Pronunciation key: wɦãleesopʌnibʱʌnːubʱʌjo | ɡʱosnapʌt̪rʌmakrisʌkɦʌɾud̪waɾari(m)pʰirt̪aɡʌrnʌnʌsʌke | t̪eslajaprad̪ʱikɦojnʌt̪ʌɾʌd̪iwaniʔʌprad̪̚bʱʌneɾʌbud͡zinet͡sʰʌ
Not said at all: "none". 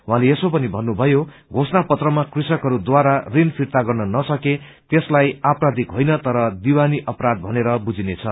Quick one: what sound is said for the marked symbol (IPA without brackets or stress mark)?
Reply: n